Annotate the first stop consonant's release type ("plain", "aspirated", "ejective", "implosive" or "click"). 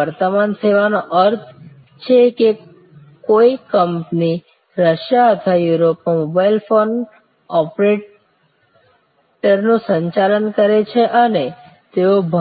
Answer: plain